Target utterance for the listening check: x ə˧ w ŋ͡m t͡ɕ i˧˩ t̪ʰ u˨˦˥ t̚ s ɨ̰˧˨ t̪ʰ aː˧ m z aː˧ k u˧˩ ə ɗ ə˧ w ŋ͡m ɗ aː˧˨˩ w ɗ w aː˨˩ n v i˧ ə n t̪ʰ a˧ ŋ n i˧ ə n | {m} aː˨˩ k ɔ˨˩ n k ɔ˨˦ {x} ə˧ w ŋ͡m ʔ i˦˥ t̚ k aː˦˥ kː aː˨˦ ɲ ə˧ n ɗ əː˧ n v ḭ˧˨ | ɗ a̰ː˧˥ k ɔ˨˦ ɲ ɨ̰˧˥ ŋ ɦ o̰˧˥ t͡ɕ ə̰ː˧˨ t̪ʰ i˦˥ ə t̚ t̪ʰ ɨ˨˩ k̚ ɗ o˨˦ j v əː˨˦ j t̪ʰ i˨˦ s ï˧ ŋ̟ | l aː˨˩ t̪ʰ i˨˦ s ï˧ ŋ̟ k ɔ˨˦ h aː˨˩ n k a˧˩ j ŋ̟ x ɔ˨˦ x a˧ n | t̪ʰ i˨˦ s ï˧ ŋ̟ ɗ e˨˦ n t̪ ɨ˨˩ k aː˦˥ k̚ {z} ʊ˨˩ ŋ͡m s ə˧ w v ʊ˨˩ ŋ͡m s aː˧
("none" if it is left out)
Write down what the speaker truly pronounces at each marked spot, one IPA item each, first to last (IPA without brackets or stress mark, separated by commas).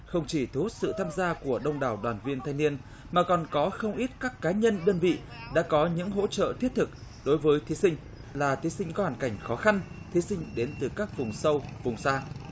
m, x, v